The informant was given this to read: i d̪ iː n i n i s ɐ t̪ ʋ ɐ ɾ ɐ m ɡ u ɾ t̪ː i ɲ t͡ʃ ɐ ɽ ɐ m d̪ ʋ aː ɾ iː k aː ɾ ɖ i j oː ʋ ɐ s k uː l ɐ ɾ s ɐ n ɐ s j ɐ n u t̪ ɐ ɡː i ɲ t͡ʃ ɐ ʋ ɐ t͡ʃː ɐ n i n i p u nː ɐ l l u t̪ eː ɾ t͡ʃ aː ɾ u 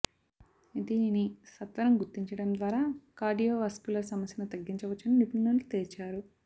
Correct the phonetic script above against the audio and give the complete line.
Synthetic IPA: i d̪ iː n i n i s ɐ t̪ ʋ ɐ ɾ ɐ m ɡ u ɾ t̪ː i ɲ t͡ʃ ɐ ɽ ɐ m d̪ ʋ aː ɾ aː k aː ɾ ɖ i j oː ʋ ɐ s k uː l ɐ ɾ s ɐ m ɐ s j ɐ n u t̪ ɐ ɡː i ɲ t͡ʃ ɐ ʋ ɐ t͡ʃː ɐ n i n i p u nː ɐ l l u t̪ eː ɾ t͡ʃ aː ɾ u